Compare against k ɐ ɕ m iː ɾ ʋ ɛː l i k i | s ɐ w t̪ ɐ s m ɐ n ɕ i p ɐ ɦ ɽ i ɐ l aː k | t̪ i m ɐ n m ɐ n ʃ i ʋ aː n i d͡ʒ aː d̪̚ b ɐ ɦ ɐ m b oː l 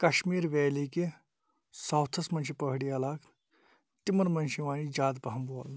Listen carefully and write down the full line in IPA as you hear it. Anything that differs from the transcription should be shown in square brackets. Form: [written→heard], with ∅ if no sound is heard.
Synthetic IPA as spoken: k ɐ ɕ m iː ɾ ʋ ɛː l i k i | s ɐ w [t̪→t̪ʰ] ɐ s m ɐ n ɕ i p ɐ ɦ ɽ i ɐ l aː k | t̪ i m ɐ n m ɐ n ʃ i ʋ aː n i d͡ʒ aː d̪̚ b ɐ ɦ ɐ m b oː l